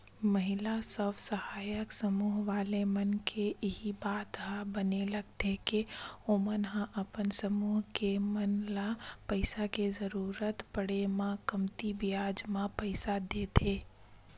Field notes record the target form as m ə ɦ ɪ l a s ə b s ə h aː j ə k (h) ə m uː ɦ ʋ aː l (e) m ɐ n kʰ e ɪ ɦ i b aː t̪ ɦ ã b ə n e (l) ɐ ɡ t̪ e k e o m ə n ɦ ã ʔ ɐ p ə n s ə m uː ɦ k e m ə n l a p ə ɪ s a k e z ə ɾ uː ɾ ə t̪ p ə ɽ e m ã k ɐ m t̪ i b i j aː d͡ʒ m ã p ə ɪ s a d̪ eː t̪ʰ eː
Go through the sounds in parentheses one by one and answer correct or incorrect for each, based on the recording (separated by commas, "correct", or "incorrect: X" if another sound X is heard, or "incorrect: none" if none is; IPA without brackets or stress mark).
incorrect: s, correct, correct